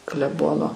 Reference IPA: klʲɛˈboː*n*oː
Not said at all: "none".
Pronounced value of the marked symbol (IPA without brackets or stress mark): n